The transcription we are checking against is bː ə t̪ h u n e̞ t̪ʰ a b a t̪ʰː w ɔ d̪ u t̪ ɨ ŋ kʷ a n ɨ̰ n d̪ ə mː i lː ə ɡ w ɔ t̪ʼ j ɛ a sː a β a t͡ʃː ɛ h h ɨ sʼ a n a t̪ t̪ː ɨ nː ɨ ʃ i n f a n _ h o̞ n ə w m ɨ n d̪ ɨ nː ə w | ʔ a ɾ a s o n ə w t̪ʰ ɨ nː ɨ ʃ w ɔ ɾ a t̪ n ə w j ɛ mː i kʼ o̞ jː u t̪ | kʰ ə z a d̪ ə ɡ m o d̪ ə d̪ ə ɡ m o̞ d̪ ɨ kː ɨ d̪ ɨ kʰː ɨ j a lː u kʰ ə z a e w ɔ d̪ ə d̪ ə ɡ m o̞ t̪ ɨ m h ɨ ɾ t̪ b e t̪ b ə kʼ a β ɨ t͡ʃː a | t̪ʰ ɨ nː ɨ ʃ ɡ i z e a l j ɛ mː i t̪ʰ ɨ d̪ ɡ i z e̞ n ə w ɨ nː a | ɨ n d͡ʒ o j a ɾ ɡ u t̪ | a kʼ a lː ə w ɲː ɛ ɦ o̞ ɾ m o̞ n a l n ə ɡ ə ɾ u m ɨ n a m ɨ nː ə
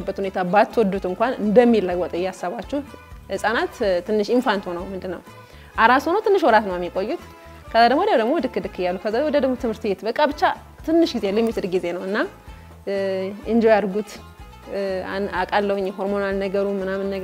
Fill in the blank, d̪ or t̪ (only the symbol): t̪